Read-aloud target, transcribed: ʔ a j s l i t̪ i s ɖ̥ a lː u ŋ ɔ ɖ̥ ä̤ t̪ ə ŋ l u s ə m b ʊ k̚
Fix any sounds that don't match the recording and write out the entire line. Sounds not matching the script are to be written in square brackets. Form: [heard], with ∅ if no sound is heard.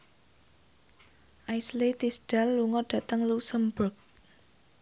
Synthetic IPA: ʔ a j s l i t̪ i s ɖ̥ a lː u ŋ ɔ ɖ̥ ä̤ t̪ ə ŋ l u s ə m b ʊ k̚